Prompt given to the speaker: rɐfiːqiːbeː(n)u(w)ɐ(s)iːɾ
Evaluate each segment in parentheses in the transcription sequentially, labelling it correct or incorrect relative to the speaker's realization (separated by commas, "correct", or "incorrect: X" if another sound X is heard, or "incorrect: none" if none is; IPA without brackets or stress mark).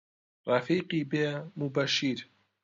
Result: incorrect: m, incorrect: b, incorrect: ʃ